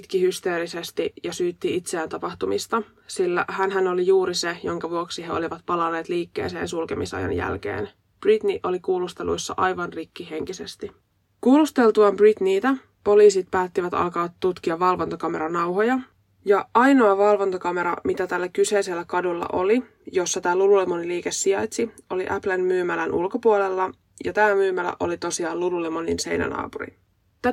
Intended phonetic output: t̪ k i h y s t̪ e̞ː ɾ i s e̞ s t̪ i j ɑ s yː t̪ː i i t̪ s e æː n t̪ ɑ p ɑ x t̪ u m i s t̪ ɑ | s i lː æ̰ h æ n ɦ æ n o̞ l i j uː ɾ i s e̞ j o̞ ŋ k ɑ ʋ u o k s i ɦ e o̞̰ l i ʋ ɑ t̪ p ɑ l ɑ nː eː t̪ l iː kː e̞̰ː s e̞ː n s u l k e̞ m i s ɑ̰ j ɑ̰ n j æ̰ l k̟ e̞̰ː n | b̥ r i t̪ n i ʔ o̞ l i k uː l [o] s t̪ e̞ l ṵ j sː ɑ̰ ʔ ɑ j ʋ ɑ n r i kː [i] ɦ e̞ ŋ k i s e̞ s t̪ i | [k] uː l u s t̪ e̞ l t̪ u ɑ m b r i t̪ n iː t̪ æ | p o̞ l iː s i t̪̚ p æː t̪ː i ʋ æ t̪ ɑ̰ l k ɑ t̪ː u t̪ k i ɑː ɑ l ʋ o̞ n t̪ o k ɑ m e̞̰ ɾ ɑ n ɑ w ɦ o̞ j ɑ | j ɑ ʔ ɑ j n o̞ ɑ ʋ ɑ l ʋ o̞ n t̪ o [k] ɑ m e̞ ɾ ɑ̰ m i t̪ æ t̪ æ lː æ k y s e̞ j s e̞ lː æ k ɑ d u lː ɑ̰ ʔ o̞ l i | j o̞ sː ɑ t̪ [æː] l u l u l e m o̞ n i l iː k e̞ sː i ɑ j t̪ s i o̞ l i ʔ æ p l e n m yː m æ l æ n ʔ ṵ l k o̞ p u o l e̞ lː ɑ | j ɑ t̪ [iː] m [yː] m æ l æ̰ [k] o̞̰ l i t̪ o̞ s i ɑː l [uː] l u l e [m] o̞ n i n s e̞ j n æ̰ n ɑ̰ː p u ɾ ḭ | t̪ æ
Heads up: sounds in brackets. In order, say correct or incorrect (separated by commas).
incorrect, correct, correct, correct, correct, incorrect, correct, incorrect, incorrect, correct